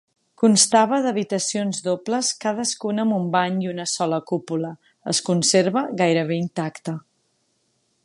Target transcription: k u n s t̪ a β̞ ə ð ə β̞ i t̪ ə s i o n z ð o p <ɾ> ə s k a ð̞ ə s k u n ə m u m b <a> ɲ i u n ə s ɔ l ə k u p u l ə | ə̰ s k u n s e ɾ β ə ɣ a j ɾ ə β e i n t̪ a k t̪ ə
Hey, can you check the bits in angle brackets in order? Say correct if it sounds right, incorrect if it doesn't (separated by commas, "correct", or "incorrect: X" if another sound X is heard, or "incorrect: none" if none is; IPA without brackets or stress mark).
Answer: incorrect: l, correct